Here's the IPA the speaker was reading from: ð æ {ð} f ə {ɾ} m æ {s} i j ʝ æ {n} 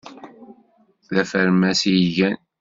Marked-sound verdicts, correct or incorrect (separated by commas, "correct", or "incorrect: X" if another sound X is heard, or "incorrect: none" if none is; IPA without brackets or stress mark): incorrect: none, correct, correct, correct